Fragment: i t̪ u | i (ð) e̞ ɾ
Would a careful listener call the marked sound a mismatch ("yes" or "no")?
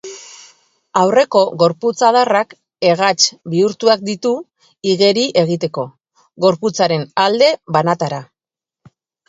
yes